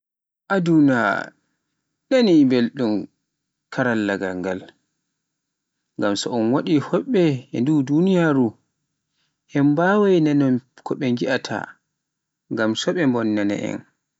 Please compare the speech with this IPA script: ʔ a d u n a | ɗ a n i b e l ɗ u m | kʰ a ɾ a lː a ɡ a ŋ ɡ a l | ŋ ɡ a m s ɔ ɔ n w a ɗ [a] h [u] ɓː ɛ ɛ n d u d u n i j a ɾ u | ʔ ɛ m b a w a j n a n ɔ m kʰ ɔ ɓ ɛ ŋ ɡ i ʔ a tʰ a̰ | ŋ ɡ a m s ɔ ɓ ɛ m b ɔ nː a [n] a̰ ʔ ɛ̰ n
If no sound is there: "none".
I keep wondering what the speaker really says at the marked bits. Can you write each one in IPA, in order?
i, ɔ, n

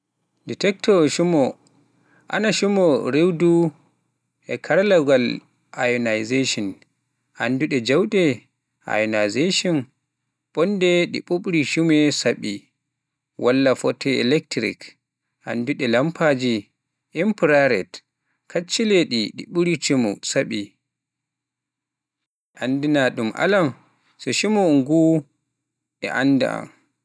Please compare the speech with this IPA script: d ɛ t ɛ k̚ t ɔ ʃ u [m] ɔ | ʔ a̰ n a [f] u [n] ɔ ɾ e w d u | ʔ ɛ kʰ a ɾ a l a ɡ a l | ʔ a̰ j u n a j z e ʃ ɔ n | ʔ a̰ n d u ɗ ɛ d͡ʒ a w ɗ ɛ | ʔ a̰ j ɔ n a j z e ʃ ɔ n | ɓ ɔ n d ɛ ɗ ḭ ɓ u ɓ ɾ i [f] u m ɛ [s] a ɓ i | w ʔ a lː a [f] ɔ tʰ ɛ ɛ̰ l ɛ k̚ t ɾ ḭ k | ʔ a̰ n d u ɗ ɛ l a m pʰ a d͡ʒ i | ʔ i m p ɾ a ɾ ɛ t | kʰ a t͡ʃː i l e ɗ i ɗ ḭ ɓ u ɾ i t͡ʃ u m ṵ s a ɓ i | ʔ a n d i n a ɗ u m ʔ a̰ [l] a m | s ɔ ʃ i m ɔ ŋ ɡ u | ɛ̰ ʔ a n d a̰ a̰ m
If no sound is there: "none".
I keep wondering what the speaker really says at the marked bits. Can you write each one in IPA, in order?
m, ʃ, m, ʃ, s, f, l

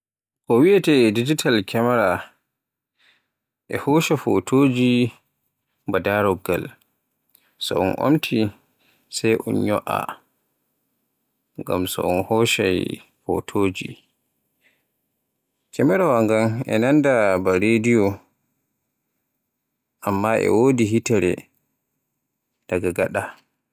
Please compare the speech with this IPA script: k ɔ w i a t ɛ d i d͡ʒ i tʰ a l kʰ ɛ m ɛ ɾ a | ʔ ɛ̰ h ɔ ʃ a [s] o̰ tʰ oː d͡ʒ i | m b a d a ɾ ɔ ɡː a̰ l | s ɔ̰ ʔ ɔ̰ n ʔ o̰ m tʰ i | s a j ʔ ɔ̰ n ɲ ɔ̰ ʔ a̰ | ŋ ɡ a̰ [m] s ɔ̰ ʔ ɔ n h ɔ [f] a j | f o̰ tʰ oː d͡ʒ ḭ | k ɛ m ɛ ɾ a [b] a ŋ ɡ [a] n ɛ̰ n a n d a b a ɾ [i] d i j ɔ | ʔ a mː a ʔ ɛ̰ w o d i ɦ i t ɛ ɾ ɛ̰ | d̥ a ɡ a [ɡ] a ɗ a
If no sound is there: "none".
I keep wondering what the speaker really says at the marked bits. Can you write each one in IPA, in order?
f, m, ʃ, w, a, e, ɡ

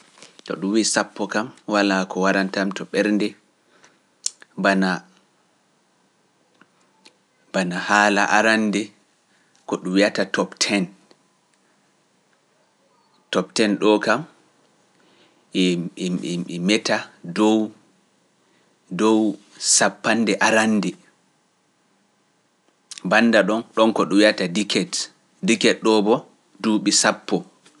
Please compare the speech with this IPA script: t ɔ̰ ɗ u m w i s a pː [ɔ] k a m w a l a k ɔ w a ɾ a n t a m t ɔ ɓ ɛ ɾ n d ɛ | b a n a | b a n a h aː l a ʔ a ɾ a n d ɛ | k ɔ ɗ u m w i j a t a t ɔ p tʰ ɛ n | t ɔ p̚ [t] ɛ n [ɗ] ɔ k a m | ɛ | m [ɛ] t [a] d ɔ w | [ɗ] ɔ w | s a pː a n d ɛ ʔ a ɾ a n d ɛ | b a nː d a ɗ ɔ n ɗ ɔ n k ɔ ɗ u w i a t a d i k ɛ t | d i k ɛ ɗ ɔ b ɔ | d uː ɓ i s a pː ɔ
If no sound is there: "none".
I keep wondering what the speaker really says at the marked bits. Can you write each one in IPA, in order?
ɔ, t, ɗ, ɛ, a, d

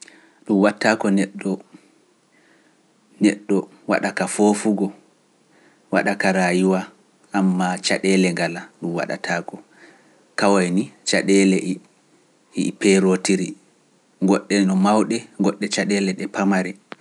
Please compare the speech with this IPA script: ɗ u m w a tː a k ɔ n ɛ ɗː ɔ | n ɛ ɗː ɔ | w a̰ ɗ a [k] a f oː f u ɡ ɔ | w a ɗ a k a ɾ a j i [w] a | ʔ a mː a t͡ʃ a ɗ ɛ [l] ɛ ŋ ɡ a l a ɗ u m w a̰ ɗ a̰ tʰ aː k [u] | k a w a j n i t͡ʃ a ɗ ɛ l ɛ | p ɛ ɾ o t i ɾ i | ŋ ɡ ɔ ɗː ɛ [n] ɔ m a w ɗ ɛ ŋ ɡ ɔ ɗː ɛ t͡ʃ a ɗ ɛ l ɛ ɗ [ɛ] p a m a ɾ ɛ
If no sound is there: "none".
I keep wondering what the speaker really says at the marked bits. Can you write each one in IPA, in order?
k, w, l, ɔ, n, ɛ

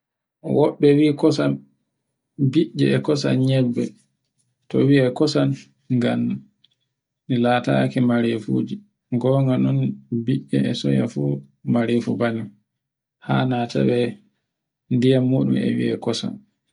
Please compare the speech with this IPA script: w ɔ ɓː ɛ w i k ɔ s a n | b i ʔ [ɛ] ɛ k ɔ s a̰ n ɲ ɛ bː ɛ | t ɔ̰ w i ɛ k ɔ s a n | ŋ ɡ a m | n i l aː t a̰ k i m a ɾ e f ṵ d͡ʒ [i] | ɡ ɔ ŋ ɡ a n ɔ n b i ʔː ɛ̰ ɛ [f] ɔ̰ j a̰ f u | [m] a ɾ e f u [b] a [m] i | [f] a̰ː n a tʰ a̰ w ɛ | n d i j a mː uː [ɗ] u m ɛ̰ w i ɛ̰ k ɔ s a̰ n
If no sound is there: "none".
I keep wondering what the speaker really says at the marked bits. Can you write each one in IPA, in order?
ɛ, i, s, m, b, n, h, ɗ

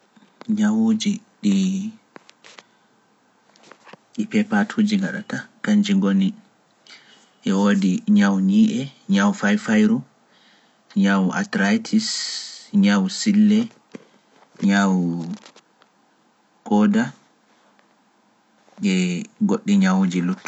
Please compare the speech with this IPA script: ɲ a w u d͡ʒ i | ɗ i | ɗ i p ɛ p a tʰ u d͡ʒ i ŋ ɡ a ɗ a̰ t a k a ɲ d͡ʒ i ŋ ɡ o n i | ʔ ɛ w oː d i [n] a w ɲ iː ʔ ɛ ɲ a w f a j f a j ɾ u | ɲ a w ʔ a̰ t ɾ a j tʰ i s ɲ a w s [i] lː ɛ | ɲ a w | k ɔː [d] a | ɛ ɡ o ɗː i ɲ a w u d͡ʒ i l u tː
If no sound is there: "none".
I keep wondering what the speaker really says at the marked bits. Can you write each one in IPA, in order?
ɲ, i, d

